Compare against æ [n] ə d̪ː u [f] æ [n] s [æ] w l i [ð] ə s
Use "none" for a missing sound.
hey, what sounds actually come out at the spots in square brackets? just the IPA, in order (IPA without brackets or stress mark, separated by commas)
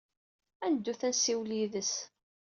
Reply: n, θ, n, i, ð